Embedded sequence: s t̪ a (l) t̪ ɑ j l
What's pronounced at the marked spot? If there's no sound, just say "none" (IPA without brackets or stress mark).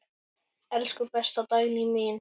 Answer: none